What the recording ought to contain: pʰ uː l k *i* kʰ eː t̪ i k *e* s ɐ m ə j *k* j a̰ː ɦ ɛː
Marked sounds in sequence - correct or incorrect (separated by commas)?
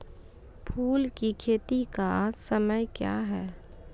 correct, incorrect, correct